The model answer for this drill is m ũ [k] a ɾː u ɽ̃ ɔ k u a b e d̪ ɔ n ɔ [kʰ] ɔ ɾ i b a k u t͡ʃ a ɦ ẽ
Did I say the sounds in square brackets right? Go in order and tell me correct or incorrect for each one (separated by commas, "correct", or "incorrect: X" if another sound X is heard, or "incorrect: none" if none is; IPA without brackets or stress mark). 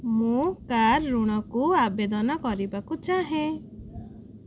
correct, incorrect: k